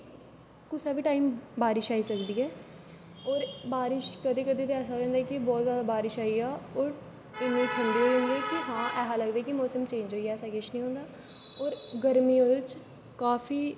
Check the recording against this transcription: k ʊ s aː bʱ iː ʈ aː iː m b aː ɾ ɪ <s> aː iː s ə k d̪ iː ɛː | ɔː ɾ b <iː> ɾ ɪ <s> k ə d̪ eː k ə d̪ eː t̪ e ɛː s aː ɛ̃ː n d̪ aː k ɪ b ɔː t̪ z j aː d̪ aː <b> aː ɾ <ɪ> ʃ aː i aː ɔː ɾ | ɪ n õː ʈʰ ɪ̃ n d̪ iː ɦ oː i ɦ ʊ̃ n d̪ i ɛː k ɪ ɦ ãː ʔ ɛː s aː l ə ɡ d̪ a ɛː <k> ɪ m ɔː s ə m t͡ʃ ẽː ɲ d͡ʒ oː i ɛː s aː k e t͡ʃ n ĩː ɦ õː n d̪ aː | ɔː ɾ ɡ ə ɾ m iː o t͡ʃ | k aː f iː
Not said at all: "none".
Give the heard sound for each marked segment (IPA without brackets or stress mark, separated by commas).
ʃ, aː, ʃ, b, ɪ, k